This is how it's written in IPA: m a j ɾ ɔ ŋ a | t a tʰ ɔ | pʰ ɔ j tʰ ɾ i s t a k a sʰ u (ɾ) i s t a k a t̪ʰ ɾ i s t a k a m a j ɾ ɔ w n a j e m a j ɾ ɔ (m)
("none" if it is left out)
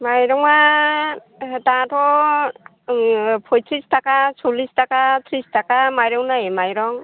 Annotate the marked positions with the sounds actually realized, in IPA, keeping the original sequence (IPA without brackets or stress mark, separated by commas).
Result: l, ŋ